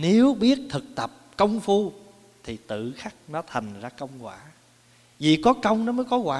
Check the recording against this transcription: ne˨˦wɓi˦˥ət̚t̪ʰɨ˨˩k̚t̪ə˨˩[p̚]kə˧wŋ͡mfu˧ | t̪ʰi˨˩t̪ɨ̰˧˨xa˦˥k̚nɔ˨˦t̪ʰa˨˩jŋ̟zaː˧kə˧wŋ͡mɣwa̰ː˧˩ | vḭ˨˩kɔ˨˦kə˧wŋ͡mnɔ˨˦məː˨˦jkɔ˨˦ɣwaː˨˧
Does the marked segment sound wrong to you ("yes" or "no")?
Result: no